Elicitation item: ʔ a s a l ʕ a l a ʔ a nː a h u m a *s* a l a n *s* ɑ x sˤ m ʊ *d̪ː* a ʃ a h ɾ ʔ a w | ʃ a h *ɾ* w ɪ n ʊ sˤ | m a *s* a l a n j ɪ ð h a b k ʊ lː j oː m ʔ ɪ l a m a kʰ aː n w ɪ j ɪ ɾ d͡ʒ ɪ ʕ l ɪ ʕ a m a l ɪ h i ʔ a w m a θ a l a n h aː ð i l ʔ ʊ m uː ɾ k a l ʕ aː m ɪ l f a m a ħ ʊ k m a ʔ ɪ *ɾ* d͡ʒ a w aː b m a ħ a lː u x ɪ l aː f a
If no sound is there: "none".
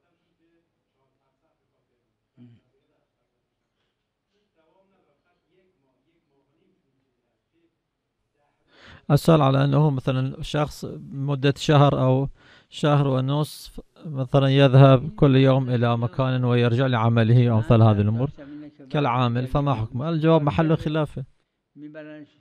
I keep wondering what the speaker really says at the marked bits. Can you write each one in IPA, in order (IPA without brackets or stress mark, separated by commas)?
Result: θ, ʃ, d̪ː, ɾ, θ, l